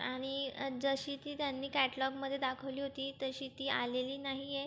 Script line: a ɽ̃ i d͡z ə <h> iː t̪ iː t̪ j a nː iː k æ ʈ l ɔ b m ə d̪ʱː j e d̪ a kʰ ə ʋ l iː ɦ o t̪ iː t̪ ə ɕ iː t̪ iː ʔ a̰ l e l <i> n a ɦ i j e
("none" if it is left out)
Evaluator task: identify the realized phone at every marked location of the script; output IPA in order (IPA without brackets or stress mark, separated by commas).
ɕ, iː